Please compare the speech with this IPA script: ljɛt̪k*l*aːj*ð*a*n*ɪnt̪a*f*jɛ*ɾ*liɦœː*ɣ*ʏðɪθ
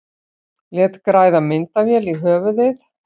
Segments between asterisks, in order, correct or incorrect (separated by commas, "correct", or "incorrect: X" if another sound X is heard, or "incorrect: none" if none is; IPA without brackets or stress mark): incorrect: ɾ, correct, incorrect: m, incorrect: v, incorrect: none, incorrect: v